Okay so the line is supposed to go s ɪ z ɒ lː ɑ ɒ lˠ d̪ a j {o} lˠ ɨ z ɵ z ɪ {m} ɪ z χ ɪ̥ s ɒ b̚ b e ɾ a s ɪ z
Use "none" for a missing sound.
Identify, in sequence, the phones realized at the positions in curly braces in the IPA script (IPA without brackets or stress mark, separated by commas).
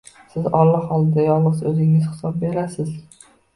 ɒ, ŋ